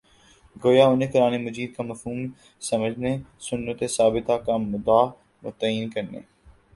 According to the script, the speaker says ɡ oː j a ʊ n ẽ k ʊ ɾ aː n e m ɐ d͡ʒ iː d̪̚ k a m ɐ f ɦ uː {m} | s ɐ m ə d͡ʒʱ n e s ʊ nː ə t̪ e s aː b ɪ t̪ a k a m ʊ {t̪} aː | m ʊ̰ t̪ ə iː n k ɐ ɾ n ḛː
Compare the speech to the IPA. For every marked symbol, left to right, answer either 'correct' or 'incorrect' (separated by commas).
correct, incorrect